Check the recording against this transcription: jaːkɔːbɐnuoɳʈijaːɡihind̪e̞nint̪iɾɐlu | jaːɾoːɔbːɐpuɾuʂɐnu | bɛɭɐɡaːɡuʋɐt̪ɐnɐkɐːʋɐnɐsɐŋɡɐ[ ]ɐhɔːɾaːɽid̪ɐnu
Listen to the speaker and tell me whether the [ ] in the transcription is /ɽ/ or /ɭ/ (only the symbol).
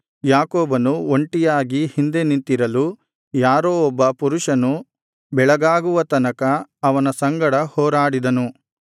ɽ